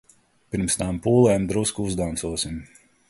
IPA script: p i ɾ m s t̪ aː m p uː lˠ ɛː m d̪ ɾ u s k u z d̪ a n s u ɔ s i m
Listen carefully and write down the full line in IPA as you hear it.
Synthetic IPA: p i ɾ m s t̪ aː m p uː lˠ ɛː m d̪ ɾ u s k u z d̪ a n s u ɔ s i m